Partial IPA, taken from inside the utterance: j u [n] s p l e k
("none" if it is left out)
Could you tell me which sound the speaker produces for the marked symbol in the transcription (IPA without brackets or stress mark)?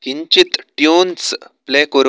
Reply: n